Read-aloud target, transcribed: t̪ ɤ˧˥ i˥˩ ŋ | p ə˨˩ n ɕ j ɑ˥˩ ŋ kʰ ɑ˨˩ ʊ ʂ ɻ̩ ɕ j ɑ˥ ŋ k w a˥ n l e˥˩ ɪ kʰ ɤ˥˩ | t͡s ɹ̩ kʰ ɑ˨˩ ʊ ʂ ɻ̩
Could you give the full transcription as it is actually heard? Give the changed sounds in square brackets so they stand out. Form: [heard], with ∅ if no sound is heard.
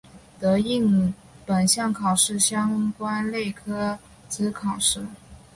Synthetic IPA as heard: t̪ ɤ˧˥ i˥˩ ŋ | p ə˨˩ n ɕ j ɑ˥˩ ŋ kʰ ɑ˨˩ ʊ ʂ ɻ̩ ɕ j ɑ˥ ŋ k w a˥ n l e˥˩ ɪ kʰ [ɤ˥] | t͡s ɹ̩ kʰ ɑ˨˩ ʊ ʂ ɻ̩

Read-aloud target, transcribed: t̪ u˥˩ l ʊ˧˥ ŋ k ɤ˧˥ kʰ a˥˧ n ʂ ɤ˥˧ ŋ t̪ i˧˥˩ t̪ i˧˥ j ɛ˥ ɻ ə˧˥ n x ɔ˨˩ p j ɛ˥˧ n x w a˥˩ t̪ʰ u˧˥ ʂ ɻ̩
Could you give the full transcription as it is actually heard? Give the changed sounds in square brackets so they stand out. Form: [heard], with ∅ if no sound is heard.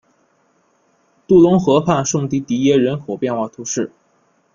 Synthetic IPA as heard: t̪ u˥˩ l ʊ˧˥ ŋ [x] ɤ˧˥ [pʰ] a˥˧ n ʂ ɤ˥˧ ŋ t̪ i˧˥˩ t̪ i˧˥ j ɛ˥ ɻ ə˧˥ n x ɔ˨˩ p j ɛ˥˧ n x w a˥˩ t̪ʰ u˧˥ ʂ ɻ̩

